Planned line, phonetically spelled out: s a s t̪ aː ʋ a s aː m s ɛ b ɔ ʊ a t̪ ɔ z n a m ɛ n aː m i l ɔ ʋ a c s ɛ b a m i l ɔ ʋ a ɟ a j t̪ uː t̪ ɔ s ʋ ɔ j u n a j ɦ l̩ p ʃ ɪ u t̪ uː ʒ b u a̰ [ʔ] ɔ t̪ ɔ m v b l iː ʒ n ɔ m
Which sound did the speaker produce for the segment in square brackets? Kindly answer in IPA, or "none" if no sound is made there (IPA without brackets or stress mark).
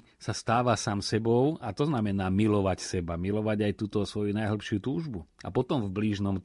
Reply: p